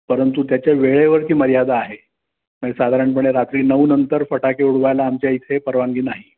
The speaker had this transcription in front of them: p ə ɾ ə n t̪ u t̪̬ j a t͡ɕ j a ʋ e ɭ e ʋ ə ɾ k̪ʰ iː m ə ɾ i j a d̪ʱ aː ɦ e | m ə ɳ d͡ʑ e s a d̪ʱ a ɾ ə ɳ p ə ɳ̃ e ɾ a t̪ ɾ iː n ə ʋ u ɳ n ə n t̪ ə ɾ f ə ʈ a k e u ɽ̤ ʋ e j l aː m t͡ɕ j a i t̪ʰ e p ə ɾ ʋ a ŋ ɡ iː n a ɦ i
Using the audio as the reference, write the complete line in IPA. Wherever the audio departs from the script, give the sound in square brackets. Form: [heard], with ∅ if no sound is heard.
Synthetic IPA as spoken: p ə ɾ ə n t̪ u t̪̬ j a t͡ɕ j a ʋ e ɭ e ʋ ə ɾ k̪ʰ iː m ə ɾ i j a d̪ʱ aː ɦ e | m ə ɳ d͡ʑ e s a d̪ʱ a ɾ ə ɳ p ə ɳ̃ e ɾ a t̪ ɾ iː n ə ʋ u [∅] n ə n t̪ ə ɾ f ə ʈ a k e u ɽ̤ ʋ [a] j l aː m t͡ɕ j a i t̪ʰ e p ə ɾ ʋ a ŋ ɡ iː n a ɦ i